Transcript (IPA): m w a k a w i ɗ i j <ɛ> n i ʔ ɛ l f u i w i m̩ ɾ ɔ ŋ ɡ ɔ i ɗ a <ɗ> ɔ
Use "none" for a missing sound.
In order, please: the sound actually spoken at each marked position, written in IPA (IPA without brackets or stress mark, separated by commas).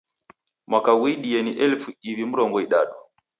ɛ, ɗ